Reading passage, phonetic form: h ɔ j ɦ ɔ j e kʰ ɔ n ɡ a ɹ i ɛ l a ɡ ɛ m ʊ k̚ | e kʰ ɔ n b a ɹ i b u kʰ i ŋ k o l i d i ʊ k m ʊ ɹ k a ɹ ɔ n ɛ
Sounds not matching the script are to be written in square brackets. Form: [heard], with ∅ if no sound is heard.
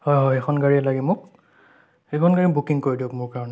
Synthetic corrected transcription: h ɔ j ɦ ɔ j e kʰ ɔ n ɡ a ɹ i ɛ l a ɡ ɛ m ʊ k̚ | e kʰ ɔ n [ɡ] a ɹ i b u [k] i ŋ k o [ɹ] i d i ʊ k m ʊ ɹ k a ɹ ɔ n ɛ